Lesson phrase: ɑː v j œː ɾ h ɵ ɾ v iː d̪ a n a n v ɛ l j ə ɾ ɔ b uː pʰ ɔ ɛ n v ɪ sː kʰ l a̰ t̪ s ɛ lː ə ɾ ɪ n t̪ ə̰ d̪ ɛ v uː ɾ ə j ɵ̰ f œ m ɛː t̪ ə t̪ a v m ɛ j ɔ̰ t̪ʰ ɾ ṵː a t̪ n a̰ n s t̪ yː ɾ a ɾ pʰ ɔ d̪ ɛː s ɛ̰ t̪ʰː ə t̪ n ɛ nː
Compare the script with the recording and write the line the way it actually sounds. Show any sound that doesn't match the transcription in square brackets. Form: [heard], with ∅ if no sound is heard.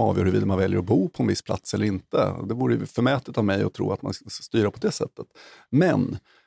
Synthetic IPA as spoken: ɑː v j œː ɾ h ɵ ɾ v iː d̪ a [m] a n v ɛ l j ə ɾ ɔ b uː pʰ ɔ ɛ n v ɪ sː [pʰ] l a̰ t̪ s ɛ lː ə ɾ ɪ n t̪ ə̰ d̪ ɛ v uː ɾ ə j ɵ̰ f œ m ɛː t̪ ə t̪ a v m ɛ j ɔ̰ t̪ʰ ɾ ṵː a t̪ [m] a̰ n s t̪ yː ɾ a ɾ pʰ ɔ d̪ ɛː s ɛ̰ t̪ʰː ə t̪ [m] ɛ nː